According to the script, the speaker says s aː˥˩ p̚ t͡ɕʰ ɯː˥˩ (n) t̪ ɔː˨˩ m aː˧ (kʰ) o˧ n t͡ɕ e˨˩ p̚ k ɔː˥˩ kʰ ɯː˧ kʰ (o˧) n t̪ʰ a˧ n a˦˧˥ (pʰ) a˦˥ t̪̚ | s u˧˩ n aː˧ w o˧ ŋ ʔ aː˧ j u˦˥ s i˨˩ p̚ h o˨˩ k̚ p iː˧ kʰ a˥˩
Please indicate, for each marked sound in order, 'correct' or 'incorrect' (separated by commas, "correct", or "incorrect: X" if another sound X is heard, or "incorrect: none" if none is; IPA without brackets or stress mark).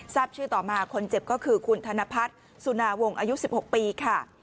incorrect: none, correct, incorrect: u˧, correct